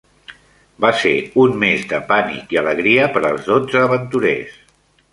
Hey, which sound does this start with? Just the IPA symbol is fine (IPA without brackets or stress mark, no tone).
b